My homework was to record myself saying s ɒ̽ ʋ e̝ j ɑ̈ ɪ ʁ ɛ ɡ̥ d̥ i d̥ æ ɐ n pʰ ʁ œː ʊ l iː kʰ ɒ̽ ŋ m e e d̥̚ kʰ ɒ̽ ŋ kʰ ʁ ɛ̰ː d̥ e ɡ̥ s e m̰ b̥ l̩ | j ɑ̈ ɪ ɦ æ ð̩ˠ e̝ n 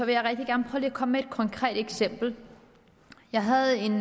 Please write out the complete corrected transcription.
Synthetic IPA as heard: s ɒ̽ ʋ e̝ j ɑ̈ ɪ ʁ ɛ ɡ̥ d̥ i ɡ̥ æ ɐ n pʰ ʁ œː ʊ l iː kʰ ɒ̽ m m e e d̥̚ kʰ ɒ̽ ŋ kʰ ʁ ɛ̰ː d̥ e ɡ̥ s e m̰ b̥ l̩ | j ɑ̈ ɪ ɦ æ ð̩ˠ e̝ n